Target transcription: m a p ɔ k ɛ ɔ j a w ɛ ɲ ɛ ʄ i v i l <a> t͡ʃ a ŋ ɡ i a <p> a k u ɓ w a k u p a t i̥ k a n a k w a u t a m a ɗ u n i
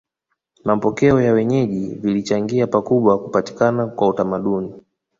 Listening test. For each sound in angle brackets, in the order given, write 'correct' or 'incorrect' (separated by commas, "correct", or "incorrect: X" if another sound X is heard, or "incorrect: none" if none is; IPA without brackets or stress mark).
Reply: incorrect: i, correct